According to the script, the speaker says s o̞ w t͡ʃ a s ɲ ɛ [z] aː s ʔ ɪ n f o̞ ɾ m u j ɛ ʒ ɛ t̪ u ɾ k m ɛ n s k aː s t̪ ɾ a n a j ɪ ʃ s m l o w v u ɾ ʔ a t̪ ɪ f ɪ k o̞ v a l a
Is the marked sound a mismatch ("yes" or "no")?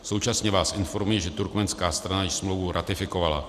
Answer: yes